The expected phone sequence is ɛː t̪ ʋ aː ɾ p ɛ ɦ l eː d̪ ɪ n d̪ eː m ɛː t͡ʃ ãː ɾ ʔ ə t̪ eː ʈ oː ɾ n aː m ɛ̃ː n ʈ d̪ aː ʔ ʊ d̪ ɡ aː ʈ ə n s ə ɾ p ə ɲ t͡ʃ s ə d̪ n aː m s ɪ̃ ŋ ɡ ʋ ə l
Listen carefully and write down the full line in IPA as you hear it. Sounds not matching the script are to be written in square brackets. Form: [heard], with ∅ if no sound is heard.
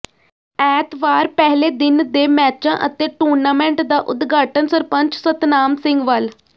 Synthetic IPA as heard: ɛː t̪ ʋ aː ɾ p ɛ ɦ l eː d̪ ɪ n d̪ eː m ɛː t͡ʃ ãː [∅] ʔ ə t̪ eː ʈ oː ɾ n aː m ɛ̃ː [ɳ] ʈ d̪ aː ʔ ʊ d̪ ɡ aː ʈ ə n s ə ɾ p ə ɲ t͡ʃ s ə [t̪] n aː m s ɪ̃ ŋ ɡ ʋ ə l